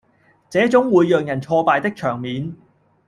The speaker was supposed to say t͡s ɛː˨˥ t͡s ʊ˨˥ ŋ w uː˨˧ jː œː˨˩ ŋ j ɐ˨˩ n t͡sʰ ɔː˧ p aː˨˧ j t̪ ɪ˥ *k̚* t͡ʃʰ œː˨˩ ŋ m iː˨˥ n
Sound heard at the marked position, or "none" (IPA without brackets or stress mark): k̚